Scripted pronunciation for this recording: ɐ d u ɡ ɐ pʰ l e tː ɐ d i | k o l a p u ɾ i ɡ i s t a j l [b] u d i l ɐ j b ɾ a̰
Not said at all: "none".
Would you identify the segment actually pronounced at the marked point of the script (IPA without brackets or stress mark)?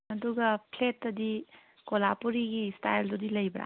d